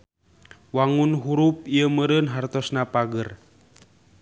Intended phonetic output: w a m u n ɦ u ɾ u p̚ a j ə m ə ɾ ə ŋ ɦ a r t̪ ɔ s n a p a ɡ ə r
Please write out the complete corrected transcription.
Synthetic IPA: w a ŋ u n ɦ u ɾ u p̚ i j ə m ə ɾ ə n ɦ a r t̪ ɔ s n a p a ɡ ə r